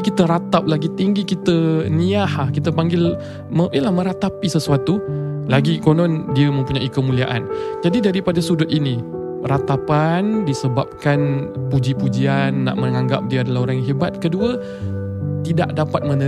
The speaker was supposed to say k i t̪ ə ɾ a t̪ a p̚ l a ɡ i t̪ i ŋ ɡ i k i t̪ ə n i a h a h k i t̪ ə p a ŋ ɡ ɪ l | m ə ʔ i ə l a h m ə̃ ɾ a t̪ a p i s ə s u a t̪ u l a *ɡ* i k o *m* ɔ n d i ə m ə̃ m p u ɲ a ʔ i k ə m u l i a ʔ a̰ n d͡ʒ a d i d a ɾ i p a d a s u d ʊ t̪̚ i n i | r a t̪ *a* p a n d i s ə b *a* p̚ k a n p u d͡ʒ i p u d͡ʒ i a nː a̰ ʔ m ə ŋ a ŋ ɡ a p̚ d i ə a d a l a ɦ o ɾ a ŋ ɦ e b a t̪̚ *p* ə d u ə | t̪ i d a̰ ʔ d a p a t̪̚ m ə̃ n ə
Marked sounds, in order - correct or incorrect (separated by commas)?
correct, incorrect, correct, correct, incorrect